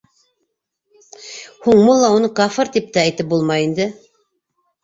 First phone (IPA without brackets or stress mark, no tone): h